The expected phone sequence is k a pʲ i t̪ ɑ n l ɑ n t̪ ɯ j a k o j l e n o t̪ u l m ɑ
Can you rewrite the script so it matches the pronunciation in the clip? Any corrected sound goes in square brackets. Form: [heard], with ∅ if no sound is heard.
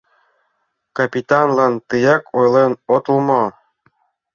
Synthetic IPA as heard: k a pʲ i t̪ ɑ n l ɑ n t̪ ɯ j [ɑ] k o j l e n o t̪ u l m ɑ